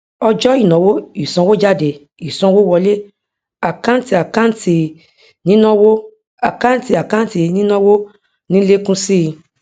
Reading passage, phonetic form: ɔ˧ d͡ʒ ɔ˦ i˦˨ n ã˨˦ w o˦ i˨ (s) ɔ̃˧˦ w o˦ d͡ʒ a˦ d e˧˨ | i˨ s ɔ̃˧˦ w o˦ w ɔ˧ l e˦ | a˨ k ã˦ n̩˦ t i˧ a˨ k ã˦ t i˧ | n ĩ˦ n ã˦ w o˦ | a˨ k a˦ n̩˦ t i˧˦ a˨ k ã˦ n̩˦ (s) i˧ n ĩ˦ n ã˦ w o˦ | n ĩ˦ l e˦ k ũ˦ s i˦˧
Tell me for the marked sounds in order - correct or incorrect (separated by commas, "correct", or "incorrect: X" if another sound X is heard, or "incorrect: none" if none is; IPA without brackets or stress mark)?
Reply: correct, incorrect: t